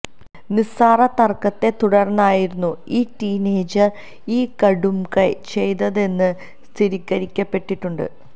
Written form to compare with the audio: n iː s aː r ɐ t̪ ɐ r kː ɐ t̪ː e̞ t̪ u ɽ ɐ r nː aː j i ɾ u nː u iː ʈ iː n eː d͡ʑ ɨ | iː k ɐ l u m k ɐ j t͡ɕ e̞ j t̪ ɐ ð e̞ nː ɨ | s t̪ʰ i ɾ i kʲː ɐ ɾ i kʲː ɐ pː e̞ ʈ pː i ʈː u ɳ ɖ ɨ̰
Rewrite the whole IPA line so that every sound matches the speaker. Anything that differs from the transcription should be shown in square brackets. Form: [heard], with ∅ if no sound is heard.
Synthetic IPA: n [i] s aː r ɐ t̪ ɐ r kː ɐ t̪ː e̞ t̪ u ɽ ɐ r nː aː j i ɾ u nː u iː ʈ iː n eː d͡ʑ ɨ | iː k ɐ [ɽ] u m k ɐ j t͡ɕ e̞ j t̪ ɐ ð e̞ nː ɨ | s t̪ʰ i ɾ i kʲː ɐ ɾ i kʲː ɐ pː e̞ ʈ pː i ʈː u ɳ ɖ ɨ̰